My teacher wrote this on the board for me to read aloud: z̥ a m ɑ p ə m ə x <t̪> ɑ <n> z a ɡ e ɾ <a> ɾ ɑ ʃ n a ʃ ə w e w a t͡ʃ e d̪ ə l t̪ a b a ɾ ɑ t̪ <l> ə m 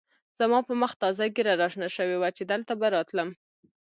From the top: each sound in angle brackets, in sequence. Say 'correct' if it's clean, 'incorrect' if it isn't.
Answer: correct, incorrect, correct, correct

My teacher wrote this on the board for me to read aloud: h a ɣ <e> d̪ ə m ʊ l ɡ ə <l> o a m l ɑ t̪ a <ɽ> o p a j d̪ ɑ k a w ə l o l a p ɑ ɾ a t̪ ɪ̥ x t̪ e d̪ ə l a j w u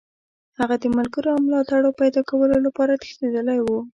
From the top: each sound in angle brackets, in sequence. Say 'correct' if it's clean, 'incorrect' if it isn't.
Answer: incorrect, incorrect, correct

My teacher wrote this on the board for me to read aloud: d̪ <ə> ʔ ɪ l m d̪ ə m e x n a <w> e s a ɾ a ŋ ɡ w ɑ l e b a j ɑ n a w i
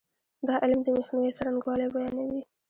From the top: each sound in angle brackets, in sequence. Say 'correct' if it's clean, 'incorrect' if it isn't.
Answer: incorrect, correct

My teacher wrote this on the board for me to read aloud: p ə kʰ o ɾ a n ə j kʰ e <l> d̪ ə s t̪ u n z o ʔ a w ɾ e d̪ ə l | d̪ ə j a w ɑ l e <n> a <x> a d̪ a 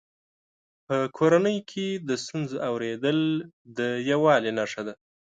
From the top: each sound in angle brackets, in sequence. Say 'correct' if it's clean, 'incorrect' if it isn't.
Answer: incorrect, correct, incorrect

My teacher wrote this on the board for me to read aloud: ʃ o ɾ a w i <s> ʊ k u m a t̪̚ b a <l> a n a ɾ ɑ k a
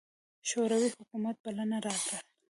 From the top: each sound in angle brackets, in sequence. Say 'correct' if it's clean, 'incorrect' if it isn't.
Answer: incorrect, correct

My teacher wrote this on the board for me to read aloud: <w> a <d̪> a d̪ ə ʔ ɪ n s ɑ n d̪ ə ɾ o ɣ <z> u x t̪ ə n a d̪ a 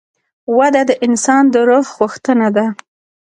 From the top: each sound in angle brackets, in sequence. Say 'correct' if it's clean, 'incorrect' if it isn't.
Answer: correct, correct, incorrect

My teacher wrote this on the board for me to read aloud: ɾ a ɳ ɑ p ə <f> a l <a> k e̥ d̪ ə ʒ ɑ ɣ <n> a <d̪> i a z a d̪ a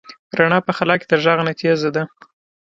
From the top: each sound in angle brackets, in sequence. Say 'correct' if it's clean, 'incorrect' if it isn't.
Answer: incorrect, incorrect, correct, incorrect

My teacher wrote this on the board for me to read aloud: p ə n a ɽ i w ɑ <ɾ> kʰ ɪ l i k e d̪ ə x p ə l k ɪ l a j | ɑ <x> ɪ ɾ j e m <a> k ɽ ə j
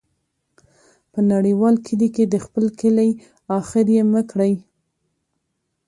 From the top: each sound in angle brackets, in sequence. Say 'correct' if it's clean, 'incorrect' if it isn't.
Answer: incorrect, correct, incorrect

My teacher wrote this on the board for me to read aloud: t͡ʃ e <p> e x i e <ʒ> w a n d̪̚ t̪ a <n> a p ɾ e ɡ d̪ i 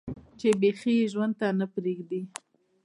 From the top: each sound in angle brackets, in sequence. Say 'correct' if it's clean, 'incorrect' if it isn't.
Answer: incorrect, correct, correct

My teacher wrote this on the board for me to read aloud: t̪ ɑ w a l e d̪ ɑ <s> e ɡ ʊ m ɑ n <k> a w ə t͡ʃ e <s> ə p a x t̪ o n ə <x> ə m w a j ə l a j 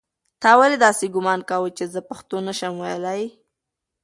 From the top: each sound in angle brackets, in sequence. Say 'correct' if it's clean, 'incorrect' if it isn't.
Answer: correct, correct, incorrect, incorrect

